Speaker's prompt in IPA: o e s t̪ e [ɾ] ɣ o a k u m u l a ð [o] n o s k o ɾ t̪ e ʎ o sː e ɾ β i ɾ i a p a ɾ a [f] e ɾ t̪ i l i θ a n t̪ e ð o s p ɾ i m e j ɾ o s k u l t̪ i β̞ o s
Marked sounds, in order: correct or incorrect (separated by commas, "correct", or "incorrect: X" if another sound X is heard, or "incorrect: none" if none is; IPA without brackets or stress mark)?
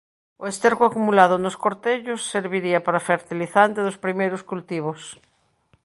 correct, correct, correct